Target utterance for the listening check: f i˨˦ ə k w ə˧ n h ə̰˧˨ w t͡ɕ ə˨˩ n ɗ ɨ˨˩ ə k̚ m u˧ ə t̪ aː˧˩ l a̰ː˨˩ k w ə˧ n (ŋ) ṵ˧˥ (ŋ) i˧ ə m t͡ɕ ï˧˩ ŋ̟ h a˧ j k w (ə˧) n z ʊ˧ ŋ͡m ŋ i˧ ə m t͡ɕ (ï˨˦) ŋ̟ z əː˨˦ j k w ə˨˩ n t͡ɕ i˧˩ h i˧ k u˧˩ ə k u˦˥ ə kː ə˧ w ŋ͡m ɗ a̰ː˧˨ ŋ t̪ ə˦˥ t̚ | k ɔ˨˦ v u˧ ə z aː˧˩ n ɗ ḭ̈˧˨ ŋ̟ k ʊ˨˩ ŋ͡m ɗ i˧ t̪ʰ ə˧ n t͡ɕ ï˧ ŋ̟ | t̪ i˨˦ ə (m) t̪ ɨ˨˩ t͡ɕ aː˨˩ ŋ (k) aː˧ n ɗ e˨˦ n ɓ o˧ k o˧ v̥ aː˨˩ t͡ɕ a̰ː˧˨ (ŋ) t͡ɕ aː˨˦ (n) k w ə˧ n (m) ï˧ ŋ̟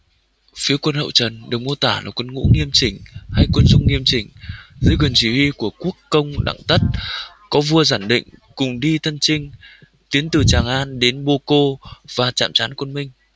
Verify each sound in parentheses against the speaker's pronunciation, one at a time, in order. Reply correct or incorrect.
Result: correct, correct, correct, incorrect: ï˨˩, incorrect: n, incorrect: ʔ, incorrect: m, correct, correct

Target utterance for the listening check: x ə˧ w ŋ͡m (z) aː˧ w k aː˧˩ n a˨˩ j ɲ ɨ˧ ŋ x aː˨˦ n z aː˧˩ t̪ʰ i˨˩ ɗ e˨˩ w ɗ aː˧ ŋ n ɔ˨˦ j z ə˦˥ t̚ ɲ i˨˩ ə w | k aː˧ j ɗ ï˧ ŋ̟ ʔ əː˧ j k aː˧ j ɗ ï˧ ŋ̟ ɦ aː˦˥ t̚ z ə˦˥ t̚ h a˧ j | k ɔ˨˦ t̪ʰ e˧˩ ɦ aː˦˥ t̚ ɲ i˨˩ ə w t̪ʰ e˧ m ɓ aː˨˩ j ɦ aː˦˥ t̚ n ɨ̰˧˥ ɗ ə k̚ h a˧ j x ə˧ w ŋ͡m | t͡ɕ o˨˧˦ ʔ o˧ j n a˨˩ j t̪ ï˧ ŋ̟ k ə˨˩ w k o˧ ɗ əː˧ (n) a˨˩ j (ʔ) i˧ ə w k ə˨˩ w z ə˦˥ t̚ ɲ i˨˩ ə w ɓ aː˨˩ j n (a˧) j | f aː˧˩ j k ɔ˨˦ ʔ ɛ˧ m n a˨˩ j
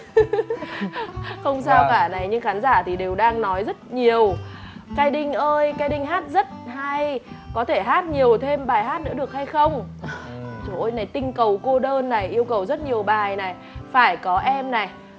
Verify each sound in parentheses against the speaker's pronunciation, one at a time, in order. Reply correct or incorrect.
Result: incorrect: s, incorrect: nː, correct, incorrect: a˨˩

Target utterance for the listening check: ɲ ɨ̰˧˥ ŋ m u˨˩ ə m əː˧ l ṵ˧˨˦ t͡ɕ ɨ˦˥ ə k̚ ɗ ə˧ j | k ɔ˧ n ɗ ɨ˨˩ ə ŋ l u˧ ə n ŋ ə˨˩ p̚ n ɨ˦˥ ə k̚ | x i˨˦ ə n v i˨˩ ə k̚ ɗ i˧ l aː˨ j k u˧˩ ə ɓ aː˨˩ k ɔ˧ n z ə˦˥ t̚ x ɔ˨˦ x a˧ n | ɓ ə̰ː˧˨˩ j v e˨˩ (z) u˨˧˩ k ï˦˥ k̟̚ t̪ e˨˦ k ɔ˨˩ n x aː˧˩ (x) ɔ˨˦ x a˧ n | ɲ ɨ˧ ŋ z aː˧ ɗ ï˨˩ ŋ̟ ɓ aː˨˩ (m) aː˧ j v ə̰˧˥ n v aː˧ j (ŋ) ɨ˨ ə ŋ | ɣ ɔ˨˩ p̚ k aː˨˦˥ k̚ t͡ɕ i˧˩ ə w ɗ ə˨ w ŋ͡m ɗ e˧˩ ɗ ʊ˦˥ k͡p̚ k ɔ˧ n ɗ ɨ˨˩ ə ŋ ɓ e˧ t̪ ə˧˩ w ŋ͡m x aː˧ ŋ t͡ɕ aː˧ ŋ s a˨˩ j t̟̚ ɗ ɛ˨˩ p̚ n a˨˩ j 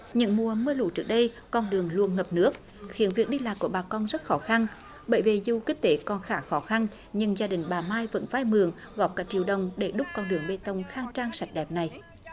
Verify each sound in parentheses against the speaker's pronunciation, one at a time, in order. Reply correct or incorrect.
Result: correct, correct, correct, incorrect: m

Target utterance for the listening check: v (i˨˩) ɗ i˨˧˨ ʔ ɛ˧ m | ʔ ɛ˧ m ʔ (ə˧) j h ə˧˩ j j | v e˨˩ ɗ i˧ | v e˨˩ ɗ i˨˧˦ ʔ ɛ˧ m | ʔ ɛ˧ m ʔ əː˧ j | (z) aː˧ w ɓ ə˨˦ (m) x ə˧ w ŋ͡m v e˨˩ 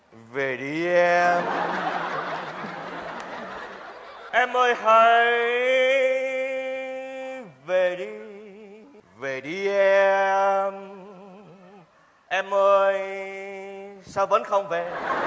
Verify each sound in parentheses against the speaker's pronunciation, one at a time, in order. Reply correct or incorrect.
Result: incorrect: e˨˩, incorrect: əː˧, incorrect: s, incorrect: n

